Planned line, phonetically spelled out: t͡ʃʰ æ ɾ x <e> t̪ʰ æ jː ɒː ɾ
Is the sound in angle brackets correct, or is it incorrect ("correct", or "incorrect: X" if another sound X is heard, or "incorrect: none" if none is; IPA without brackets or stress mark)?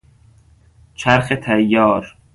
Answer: correct